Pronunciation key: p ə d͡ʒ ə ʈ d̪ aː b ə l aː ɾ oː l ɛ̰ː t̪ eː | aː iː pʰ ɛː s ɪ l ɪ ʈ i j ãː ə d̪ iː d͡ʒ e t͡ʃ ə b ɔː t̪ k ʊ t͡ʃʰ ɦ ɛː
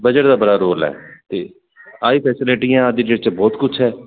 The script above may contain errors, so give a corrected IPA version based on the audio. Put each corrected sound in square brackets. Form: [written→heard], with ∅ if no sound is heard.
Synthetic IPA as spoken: [p→b] ə d͡ʒ ə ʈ d̪ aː b ə [l→ɽ] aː ɾ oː l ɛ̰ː t̪ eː | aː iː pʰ ɛː s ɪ l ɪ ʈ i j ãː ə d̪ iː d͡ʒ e t͡ʃ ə b ɔː t̪ k ʊ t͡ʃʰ ɦ ɛː